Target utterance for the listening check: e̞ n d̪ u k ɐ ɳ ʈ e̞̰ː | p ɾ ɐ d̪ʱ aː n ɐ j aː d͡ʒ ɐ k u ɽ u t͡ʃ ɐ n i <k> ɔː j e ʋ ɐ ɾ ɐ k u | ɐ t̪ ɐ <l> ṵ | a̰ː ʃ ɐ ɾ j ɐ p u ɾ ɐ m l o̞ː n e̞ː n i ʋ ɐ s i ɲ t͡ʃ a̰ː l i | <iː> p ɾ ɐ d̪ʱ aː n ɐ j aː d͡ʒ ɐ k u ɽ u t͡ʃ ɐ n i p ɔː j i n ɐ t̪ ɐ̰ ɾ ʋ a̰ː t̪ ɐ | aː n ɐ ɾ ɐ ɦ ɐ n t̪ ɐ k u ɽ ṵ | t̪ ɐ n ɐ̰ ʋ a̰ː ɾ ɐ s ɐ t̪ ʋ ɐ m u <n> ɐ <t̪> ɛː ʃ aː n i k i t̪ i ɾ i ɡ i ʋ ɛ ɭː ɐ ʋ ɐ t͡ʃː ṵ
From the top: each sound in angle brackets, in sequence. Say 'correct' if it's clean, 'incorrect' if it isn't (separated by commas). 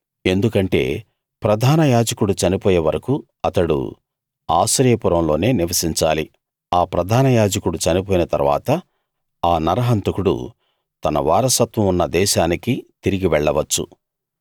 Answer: incorrect, incorrect, incorrect, incorrect, incorrect